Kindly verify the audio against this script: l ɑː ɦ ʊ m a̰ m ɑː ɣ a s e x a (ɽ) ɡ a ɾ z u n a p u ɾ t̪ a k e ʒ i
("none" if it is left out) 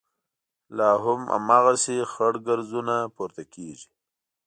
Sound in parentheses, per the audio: ɽ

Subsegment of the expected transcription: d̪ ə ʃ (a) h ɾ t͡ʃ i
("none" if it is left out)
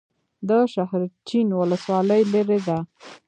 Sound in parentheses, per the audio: a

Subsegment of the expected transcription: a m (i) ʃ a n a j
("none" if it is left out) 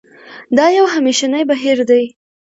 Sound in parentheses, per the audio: e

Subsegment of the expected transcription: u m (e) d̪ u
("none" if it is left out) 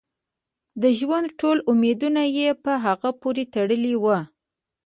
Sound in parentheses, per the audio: e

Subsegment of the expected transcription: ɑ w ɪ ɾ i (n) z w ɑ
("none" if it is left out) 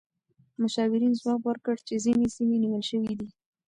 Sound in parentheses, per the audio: n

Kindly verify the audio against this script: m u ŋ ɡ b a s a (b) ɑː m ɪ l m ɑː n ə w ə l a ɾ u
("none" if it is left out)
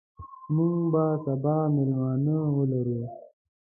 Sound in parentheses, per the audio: b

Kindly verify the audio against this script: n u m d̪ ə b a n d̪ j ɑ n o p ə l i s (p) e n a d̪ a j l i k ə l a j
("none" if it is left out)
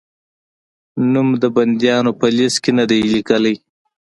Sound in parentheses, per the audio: k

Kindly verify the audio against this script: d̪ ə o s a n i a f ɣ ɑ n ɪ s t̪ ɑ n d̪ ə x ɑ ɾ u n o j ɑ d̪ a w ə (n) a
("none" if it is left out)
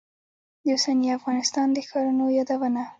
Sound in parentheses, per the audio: n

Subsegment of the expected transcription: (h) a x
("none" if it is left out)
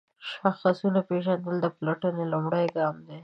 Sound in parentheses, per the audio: ʃ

